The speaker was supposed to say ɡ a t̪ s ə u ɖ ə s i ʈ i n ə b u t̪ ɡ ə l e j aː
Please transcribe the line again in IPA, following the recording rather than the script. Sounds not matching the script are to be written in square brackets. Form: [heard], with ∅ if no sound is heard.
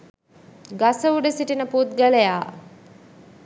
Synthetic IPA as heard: ɡ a [∅] s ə u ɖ ə s i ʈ i n ə [p] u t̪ ɡ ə l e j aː